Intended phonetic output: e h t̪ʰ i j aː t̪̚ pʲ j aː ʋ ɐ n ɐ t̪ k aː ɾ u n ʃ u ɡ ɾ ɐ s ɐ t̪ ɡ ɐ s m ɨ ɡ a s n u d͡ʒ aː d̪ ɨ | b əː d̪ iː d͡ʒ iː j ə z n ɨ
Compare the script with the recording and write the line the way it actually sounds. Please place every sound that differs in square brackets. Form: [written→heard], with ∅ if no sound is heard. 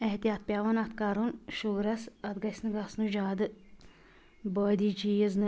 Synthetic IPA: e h [t̪ʰ→t̪] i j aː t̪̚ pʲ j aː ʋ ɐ n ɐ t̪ k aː ɾ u n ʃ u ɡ ɾ ɐ s ɐ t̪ ɡ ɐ s [m→n] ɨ ɡ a s n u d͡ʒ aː d̪ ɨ | b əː d̪ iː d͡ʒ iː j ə z n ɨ